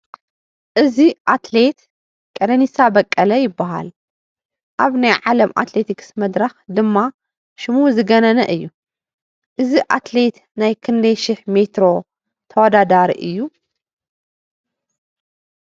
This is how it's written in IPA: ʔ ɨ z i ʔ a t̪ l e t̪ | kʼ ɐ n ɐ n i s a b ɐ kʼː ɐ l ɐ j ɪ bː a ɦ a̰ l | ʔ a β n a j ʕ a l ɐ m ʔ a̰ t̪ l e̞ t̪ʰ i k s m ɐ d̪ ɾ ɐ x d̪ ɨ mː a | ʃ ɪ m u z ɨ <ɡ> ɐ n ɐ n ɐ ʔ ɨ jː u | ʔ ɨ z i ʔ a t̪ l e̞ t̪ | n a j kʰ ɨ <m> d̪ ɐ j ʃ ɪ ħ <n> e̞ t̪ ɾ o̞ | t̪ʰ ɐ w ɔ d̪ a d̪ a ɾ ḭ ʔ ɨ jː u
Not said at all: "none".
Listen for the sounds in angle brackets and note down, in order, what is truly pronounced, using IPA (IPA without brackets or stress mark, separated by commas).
ɡ, n, m